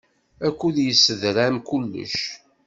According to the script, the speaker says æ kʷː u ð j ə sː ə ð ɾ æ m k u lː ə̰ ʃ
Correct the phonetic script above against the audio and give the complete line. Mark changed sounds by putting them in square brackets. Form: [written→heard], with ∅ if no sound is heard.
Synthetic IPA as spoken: æ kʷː u ð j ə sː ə ð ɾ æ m k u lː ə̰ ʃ